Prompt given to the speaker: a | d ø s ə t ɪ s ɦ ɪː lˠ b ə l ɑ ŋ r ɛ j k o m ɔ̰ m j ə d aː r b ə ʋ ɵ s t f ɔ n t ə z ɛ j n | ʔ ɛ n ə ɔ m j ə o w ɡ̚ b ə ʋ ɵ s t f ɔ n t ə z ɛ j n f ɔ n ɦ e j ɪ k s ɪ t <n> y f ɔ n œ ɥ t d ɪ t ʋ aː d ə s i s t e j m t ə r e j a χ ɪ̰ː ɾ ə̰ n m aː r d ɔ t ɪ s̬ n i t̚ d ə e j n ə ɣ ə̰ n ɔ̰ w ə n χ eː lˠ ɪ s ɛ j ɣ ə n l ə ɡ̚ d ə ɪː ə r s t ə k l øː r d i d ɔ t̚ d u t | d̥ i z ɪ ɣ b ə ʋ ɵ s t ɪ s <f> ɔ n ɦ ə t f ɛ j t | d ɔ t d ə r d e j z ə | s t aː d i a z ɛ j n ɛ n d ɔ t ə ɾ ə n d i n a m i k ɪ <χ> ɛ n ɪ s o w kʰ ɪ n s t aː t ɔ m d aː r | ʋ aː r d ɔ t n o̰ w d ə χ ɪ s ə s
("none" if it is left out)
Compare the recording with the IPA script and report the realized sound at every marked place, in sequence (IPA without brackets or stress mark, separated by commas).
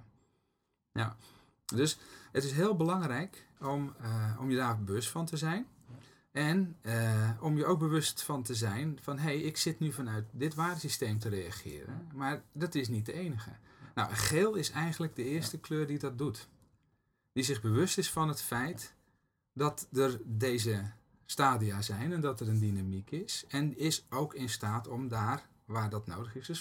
n, f, s